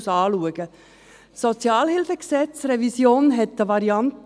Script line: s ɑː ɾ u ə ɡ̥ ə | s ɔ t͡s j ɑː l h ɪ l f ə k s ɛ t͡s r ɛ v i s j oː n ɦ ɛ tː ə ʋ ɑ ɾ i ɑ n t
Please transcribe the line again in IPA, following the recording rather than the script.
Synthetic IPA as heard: s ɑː l u ə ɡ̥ ə | s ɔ t͡s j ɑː l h ɪ l f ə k s ɛ t͡s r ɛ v i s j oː n ɦ ɛ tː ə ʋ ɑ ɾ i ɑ n t